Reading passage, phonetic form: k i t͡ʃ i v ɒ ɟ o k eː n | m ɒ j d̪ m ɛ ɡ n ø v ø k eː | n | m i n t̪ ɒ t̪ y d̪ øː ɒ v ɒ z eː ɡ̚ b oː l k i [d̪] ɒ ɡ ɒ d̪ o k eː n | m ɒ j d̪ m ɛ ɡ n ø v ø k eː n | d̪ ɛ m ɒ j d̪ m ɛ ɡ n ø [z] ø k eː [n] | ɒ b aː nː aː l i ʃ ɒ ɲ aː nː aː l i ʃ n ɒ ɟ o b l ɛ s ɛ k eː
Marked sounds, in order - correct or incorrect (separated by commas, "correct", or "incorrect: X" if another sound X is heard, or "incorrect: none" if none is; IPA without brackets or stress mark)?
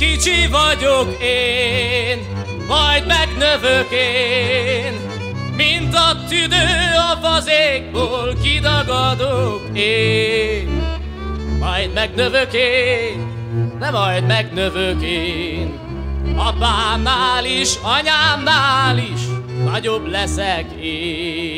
correct, incorrect: v, correct